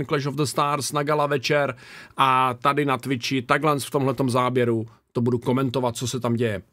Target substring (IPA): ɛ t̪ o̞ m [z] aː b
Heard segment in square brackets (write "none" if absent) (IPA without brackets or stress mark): z